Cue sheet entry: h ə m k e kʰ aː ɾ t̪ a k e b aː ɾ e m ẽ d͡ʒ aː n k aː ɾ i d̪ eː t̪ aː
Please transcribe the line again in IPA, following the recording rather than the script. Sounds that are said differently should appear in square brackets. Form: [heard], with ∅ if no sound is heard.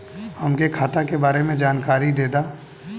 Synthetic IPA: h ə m k e kʰ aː [∅] t̪ a k e b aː ɾ e m ẽ d͡ʒ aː n k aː ɾ i d̪ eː [d̪] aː

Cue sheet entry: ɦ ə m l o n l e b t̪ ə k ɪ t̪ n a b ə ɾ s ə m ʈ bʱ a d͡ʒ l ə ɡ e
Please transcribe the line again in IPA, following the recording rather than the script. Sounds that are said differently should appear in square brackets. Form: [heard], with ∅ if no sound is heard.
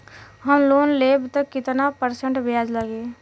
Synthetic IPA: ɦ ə m l o n l e b t̪ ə k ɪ t̪ n a [p] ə ɾ s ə [ɳ] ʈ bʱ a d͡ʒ l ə ɡ e

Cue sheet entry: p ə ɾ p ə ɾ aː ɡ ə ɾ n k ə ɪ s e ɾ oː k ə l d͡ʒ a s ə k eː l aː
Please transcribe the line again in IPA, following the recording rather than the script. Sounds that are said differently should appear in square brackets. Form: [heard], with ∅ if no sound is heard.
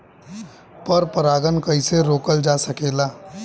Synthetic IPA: p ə ɾ p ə ɾ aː ɡ ə [∅] n k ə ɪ s e ɾ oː k ə l d͡ʒ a s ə k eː l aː

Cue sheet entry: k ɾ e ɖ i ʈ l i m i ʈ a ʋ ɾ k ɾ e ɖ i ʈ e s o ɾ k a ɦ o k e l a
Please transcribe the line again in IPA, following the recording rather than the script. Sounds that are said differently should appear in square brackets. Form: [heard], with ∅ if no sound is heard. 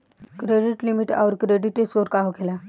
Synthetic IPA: k ɾ e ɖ i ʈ l i m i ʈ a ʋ ɾ k ɾ e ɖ i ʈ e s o ɾ k a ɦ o k e l a

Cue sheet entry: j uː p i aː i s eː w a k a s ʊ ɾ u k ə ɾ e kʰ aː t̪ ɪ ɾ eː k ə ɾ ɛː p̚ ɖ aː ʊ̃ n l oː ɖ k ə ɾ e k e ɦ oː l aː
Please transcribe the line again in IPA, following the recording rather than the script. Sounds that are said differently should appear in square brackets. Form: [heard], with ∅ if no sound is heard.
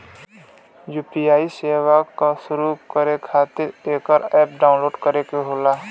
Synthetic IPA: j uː p i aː i s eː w a k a s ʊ ɾ u k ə ɾ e kʰ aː t̪ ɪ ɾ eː k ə ɾ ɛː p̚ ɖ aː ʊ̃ n l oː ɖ k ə ɾ e k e ɦ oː l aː

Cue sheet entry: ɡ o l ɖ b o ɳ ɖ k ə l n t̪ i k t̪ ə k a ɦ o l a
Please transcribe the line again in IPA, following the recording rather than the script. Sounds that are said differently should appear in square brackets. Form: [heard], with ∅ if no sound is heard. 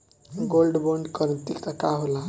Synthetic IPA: ɡ o l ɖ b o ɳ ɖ k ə [ɾ] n t̪ i k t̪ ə k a ɦ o l a

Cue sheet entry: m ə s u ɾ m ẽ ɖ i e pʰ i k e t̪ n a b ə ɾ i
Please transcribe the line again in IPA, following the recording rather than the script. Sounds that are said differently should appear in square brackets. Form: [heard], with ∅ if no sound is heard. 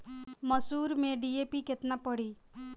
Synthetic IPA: m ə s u ɾ m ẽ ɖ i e [p] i k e t̪ n a [p] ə [ɽ] i

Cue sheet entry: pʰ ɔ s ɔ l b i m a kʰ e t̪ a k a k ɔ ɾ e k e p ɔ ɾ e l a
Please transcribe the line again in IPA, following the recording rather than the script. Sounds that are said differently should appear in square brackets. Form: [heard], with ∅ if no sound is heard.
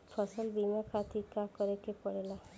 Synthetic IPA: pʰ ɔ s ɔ l b i m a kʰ [a] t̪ [i] k a k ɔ ɾ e k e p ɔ [ɽ] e l a

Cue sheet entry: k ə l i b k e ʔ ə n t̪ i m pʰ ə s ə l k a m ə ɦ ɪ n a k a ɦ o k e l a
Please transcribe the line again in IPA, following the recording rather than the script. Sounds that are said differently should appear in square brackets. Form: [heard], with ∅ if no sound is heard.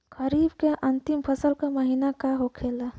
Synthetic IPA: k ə [ɾ] i b k e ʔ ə n t̪ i m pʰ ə s ə l k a m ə ɦ [i] n a k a ɦ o [kʰ] e l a

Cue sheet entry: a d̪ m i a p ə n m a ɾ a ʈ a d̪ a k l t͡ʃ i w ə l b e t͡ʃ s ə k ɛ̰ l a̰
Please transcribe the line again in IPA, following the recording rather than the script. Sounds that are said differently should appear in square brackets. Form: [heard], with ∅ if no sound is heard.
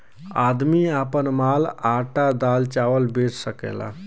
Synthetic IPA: a d̪ m i a p ə n m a [l] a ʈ a d̪ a [∅] l t͡ʃ [a] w ə l b e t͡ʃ s ə k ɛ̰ l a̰

